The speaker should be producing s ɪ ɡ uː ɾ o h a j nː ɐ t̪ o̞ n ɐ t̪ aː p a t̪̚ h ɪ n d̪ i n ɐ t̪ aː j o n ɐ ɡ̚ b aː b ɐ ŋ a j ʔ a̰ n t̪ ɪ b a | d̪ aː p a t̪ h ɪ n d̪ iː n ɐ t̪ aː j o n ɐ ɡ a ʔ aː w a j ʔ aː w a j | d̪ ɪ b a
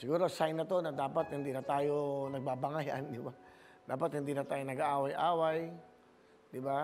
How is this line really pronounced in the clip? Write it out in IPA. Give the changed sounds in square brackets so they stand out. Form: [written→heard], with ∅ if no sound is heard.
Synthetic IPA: s ɪ ɡ uː ɾ o [h→s] a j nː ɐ t̪ o̞ n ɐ [t̪→d̪] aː p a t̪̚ h ɪ n d̪ i n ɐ t̪ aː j o n ɐ ɡ̚ b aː b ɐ ŋ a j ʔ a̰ n [t̪→d̪] ɪ b a | d̪ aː p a t̪ h ɪ n d̪ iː n ɐ t̪ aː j o n ɐ ɡ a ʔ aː w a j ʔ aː w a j | d̪ ɪ b a

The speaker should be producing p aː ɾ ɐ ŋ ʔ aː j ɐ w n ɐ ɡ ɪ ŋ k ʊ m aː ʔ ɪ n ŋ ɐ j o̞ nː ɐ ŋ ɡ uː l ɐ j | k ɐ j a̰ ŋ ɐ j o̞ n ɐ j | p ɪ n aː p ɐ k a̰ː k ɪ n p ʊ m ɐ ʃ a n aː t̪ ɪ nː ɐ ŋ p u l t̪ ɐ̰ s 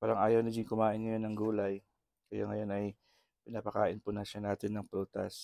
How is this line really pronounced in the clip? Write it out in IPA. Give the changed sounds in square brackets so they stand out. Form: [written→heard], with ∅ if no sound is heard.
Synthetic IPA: p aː ɾ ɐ ŋ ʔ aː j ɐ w n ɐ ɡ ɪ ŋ k ʊ m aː ʔ ɪ n ŋ ɐ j o̞ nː ɐ ŋ ɡ uː l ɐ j | k ɐ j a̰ ŋ ɐ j o̞ n ɐ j | p ɪ n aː p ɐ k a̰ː [k→ʔ] ɪ n p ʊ [m→n] ɐ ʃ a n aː t̪ ɪ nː ɐ ŋ p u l t̪ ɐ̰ s

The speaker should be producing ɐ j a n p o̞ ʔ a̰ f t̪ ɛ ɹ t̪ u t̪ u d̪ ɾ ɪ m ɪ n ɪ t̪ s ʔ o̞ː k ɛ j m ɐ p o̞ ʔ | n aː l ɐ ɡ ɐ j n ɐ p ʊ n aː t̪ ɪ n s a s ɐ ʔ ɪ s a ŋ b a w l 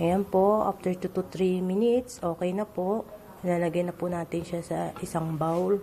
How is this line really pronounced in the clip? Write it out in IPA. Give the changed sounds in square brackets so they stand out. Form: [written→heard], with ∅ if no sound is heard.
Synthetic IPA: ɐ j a n p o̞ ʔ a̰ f t̪ ɛ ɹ t̪ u t̪ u [d̪→t̪] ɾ [ɪ→i] m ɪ n ɪ t̪ s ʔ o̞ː k ɛ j [m→n] ɐ p o̞ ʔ | n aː l ɐ ɡ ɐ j n ɐ p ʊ n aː t̪ ɪ n [s→ʃ] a s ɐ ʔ ɪ s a ŋ b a w l

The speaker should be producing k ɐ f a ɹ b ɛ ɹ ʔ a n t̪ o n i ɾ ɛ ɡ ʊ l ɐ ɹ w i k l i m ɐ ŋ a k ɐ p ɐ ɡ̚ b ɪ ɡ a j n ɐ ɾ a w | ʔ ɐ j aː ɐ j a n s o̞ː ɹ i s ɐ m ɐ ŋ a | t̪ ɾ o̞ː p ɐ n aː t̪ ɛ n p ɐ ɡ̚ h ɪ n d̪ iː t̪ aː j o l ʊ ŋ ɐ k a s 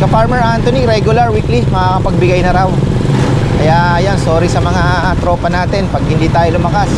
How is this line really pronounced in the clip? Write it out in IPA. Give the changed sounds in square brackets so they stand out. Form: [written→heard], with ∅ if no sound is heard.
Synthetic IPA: k ɐ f a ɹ [b→m] ɛ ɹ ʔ a n t̪ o n i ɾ ɛ ɡ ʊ l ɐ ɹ w i k l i m ɐ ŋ a k ɐ p ɐ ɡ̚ b ɪ ɡ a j n ɐ ɾ a w | [ʔ→k] ɐ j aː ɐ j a n s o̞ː [ɹ→ɾ] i s ɐ m ɐ ŋ a | t̪ ɾ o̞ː p ɐ n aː t̪ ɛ n p ɐ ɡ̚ h ɪ n d̪ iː t̪ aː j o l ʊ [ŋ→m] ɐ k a s

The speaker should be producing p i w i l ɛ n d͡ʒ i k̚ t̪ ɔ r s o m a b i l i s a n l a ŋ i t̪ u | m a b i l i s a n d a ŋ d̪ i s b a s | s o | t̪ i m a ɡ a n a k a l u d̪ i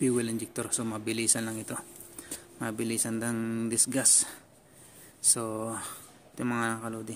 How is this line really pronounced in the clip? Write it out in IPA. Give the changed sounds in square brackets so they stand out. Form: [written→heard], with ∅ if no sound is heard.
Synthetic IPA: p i w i l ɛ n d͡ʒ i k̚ t̪ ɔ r s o m a b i l i s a n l a ŋ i t̪ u | m a b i l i s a n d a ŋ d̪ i s [b→ɡ] a s | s o | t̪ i m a [ɡ→ŋ] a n a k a l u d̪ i

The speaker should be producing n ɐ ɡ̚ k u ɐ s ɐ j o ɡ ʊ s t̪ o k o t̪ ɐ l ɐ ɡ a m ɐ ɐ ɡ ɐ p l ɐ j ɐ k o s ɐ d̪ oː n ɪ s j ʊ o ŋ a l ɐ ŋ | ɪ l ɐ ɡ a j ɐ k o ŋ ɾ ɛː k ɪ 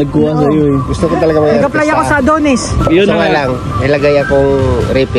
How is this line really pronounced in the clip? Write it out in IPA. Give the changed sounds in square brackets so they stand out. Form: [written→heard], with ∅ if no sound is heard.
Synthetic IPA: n ɐ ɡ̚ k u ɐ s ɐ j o ɡ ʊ s t̪ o k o t̪ ɐ l ɐ ɡ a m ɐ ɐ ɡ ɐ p l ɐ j ɐ k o s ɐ d̪ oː n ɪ s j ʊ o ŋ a l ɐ ŋ | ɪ l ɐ ɡ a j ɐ k o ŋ ɾ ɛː [k→p] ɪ

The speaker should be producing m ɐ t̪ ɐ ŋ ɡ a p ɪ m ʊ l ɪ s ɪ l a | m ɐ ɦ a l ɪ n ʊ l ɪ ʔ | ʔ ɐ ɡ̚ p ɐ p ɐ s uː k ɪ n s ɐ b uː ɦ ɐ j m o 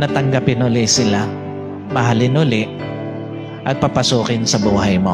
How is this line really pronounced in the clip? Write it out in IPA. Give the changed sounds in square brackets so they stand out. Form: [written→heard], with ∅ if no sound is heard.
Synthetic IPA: [m→n] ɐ t̪ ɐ ŋ ɡ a p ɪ [m→n] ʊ l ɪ s ɪ l a | m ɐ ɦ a l ɪ n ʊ l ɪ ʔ | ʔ ɐ ɡ̚ p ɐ p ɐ s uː k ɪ n s ɐ b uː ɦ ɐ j m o

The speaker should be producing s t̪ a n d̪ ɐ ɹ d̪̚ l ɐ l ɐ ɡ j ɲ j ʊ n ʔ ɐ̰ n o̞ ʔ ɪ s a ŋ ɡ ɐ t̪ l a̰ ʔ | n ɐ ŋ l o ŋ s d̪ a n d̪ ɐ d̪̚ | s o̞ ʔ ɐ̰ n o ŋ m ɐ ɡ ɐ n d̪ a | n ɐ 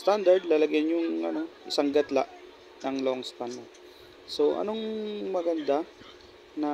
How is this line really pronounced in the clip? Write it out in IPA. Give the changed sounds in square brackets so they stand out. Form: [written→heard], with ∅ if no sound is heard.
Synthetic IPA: s t̪ a n d̪ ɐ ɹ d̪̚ l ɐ l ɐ ɡ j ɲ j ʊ [n→ŋ] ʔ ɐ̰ n o̞ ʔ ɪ s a ŋ ɡ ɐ t̪ l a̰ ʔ | n ɐ ŋ l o ŋ s [d̪→t̪] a n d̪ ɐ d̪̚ | s o̞ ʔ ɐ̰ n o ŋ m ɐ ɡ ɐ n d̪ a | n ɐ

